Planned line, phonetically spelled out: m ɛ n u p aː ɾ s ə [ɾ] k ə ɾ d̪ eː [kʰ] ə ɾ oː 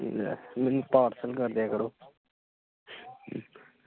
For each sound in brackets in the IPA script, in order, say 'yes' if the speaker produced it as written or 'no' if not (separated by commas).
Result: no, no